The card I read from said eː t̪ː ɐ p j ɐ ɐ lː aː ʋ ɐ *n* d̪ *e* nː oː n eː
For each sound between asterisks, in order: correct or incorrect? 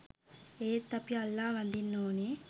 correct, incorrect: i

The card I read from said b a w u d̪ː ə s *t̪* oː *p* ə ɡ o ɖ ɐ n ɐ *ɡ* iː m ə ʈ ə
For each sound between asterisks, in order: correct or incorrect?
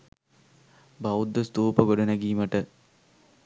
correct, correct, correct

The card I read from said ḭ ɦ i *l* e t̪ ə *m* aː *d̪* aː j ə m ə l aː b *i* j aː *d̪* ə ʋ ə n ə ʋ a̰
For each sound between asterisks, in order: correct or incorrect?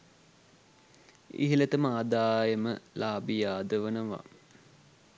correct, correct, correct, correct, correct

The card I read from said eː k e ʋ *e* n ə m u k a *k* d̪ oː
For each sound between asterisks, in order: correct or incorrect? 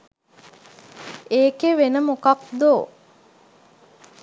correct, correct

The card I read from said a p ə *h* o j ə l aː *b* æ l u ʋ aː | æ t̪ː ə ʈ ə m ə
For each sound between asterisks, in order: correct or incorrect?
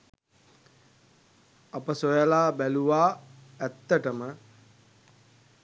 incorrect: s, correct

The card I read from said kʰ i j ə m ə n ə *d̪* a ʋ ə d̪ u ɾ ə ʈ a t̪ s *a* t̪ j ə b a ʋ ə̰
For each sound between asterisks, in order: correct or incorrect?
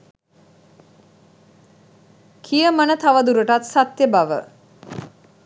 incorrect: t̪, correct

